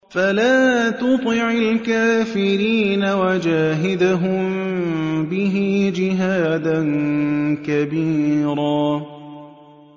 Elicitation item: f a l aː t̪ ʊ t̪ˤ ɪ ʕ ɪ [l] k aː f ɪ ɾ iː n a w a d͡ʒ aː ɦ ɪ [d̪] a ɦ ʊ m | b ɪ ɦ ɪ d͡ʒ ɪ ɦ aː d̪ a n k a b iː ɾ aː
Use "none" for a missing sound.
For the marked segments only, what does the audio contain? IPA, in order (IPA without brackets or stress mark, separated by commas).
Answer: l, d̪